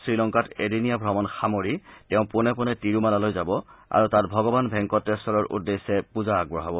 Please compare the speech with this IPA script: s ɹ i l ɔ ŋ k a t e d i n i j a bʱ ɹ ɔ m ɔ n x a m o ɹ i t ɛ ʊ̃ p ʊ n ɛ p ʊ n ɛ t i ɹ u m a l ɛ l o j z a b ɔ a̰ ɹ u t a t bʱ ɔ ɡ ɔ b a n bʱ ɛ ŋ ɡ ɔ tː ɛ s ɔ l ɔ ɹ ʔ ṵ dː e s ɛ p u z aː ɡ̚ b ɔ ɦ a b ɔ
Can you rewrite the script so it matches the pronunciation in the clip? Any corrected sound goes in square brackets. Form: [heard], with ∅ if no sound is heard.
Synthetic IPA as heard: s ɹ i l ɔ ŋ k a t e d i n i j a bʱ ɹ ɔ m ɔ n x a m o ɹ i t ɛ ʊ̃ p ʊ n ɛ p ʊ n ɛ t i ɹ u m a l [a] l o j z a b ɔ a̰ ɹ u t a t bʱ ɔ ɡ ɔ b a n bʱ ɛ ŋ [k] ɔ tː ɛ s ɔ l ɔ ɹ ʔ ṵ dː e s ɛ p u z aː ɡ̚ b ɔ ɦ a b ɔ